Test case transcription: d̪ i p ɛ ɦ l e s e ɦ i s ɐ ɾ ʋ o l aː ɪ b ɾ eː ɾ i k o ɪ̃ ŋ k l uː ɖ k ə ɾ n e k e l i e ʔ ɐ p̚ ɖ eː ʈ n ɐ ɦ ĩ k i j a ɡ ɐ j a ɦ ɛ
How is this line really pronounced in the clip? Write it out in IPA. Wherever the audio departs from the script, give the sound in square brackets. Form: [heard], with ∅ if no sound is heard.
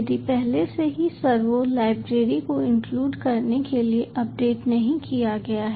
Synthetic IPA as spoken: d̪ i p ɛ ɦ l e s e ɦ i s ɐ ɾ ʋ o l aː ɪ b ɾ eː ɾ i k o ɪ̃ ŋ k l uː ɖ k [ɐ] ɾ n e k e l i e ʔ ɐ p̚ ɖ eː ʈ n ɐ ɦ ĩ k i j a ɡ ɐ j a ɦ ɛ